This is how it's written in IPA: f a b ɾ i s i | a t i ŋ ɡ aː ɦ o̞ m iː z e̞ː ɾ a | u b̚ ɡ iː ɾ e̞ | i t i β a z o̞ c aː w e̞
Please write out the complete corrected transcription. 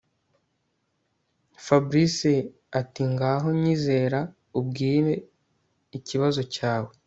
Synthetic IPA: f a b ɾ i s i | a t i ŋ ɡ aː ɦ o̞ ɲ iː z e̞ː ɾ a | u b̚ ɡ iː ɾ e̞ | i c i β a z o̞ c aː w e̞